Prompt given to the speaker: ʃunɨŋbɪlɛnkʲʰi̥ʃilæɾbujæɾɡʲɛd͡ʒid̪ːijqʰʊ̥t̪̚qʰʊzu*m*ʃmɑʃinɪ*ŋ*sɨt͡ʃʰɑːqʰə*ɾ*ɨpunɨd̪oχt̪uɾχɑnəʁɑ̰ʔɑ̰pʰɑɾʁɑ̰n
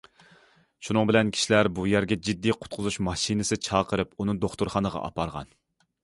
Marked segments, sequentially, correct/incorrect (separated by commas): incorrect, incorrect, correct